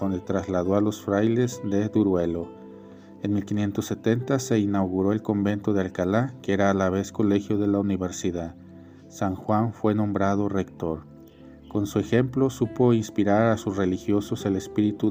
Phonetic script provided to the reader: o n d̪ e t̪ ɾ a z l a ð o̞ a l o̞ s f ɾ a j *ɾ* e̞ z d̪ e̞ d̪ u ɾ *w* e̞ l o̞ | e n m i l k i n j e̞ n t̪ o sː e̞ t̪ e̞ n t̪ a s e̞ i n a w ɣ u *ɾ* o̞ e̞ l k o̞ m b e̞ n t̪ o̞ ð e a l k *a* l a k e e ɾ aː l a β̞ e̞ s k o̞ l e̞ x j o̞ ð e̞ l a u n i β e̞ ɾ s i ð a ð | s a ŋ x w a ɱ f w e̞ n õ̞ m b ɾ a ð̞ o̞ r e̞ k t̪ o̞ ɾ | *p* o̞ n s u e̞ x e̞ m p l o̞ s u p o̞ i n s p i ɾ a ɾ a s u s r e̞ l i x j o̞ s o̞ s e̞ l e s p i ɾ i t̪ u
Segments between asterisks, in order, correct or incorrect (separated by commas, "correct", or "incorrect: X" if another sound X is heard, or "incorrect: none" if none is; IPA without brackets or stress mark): incorrect: l, correct, correct, correct, incorrect: k